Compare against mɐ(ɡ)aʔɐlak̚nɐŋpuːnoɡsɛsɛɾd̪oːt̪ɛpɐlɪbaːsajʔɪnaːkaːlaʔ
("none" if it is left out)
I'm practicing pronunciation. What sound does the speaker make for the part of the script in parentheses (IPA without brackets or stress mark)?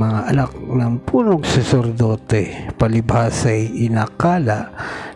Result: ŋ